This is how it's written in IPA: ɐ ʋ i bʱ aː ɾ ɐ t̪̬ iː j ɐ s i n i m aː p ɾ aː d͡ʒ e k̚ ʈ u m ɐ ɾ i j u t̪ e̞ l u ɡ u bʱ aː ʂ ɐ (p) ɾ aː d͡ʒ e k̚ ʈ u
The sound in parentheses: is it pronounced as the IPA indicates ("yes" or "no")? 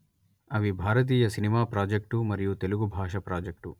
yes